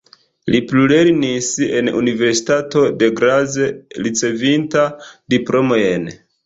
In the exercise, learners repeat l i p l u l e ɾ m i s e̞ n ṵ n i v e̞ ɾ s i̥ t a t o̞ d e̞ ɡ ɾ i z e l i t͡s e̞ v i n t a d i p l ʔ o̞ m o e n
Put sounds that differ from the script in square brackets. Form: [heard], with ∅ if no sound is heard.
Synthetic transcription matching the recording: l i p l u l e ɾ [n] i s e̞ n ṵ n i v e̞ ɾ s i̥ t a t o̞ d e̞ ɡ ɾ [a] z e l i t͡s e̞ v i n t a d i p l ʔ o̞ m o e n